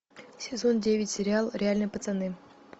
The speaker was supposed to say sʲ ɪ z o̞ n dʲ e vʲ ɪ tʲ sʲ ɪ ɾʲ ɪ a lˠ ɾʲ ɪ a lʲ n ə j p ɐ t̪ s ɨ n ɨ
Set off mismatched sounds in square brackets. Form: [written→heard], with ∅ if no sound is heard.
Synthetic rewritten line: sʲ ɪ z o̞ n dʲ e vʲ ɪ tʲ sʲ ɪ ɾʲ ɪ a lˠ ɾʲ ɪ a lʲ n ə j p [ɐ→ə] t̪ s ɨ n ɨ